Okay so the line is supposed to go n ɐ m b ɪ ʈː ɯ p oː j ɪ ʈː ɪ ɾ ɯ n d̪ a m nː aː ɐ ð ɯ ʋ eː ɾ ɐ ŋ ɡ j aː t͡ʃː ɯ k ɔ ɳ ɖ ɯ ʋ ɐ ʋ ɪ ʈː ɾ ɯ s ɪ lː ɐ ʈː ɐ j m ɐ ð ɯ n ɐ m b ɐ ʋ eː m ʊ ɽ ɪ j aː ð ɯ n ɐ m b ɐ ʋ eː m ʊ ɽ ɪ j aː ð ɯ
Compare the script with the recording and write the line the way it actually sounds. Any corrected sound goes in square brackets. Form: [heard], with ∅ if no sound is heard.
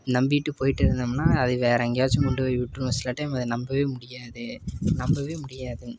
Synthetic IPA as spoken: n ɐ m b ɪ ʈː ɯ p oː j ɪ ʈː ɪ ɾ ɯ n d̪ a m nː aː ɐ ð ɯ ʋ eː ɾ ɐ ŋ ɡ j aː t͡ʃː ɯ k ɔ ɳ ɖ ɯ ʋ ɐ ʋ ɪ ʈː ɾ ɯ s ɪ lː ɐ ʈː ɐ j m ɐ ð ɯ n ɐ m b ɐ ʋ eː m ʊ ɽ ɪ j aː ð ɯ n ɐ m b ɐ ʋ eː m ʊ ɽ ɪ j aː ð ɯ